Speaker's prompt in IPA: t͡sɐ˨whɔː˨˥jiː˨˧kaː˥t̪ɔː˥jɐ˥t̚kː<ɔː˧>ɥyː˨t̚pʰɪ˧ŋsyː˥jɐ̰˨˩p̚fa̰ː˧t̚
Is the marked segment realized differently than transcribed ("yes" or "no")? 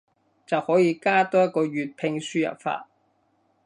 no